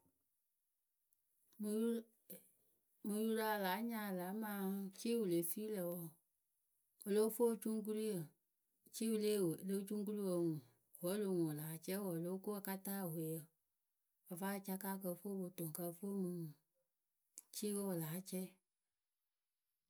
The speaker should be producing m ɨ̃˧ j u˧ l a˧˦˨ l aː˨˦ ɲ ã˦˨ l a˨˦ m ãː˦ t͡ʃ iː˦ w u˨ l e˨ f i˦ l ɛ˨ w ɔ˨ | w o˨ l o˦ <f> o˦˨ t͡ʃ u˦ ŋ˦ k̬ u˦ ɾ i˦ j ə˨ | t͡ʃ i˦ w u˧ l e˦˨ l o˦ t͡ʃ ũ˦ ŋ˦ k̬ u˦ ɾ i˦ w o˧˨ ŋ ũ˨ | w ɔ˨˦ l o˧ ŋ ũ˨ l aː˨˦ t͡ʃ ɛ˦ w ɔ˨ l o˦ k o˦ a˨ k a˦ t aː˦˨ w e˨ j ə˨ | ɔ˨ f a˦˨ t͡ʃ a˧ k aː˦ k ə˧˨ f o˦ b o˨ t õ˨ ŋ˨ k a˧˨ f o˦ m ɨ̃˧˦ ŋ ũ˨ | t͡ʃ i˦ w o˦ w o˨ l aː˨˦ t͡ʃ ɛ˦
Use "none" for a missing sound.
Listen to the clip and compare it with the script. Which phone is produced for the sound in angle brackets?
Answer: f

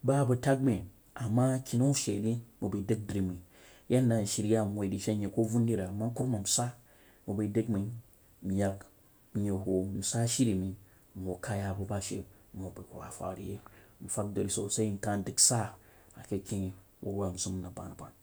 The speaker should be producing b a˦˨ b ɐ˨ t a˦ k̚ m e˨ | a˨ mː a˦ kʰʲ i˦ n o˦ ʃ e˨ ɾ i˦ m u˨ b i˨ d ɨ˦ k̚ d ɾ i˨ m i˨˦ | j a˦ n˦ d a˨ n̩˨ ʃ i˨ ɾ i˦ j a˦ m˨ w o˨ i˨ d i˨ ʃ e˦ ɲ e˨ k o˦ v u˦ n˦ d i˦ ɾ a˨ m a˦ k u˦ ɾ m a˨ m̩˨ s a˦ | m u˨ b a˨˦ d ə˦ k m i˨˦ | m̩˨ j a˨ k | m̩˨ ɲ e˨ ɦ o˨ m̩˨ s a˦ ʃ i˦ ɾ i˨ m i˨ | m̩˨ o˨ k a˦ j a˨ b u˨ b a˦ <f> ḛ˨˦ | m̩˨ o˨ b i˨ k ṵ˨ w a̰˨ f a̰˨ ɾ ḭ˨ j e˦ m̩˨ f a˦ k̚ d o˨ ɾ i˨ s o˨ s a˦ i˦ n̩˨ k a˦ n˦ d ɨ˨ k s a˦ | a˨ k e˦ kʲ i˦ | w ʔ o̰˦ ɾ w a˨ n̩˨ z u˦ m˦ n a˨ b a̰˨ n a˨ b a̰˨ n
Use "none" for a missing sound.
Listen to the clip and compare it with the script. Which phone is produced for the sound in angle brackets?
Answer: ʃ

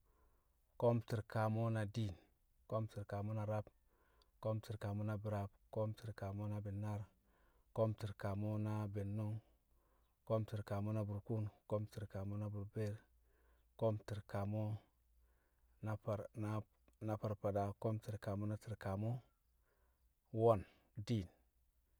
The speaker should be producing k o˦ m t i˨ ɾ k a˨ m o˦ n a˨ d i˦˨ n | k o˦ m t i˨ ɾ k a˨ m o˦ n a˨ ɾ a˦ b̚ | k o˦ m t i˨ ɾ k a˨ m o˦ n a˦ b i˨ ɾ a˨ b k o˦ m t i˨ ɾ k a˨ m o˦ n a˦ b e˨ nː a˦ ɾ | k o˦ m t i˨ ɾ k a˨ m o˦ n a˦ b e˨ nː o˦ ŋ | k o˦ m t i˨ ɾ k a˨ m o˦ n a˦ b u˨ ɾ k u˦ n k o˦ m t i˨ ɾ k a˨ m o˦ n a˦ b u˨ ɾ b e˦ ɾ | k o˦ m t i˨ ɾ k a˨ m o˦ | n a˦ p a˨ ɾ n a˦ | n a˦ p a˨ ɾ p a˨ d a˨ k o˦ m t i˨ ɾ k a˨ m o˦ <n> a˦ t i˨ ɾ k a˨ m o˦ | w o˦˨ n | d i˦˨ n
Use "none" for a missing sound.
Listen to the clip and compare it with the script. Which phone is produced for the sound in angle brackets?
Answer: n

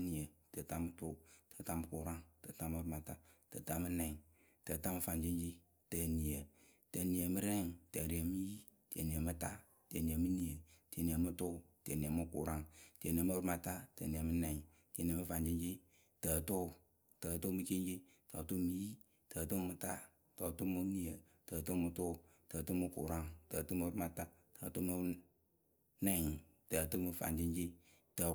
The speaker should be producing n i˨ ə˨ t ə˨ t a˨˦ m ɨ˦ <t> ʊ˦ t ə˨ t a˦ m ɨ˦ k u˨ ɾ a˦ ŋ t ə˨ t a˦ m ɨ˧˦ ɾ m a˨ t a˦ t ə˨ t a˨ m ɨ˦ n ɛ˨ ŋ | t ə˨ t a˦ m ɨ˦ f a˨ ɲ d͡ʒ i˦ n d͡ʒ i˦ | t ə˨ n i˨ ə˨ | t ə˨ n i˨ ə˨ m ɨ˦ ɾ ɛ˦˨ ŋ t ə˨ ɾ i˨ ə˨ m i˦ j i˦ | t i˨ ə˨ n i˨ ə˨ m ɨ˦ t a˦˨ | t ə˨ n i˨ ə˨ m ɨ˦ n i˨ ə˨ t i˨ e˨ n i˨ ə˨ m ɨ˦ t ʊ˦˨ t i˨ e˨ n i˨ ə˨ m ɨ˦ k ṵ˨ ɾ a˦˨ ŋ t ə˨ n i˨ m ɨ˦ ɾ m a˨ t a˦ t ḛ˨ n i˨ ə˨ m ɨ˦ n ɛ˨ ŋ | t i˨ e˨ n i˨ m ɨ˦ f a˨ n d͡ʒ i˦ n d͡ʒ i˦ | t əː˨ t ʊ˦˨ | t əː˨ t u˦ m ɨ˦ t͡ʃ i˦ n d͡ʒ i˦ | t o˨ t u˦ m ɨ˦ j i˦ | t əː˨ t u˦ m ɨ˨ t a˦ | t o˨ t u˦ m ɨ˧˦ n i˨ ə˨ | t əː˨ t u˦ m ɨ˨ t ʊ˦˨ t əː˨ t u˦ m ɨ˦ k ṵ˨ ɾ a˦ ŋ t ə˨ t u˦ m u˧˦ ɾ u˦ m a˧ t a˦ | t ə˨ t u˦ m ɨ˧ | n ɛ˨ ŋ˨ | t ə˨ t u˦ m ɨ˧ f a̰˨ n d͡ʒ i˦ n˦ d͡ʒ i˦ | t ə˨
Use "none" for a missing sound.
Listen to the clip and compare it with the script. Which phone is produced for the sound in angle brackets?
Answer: t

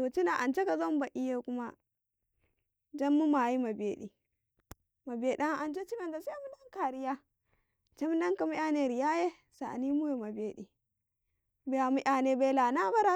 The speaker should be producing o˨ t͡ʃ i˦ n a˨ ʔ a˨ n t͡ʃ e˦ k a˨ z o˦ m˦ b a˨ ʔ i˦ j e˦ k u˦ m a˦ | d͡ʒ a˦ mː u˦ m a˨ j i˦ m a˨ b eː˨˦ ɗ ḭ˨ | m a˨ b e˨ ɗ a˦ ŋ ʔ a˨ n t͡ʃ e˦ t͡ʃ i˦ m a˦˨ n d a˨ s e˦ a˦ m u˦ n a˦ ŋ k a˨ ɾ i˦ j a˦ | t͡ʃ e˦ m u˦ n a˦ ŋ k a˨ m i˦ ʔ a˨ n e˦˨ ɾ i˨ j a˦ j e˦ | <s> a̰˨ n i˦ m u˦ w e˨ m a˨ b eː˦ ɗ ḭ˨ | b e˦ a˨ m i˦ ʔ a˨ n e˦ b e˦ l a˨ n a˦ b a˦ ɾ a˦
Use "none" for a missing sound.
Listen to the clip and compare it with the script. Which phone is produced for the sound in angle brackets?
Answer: s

